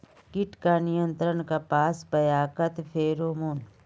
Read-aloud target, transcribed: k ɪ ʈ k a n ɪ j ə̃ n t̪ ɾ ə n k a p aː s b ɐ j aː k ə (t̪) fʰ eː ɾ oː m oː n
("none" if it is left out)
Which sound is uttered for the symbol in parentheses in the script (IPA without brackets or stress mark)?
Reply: t̪